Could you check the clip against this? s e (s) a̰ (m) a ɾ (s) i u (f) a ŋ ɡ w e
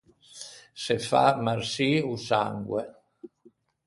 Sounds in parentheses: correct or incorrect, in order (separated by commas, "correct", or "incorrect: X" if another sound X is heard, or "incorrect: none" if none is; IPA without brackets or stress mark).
incorrect: f, correct, correct, incorrect: s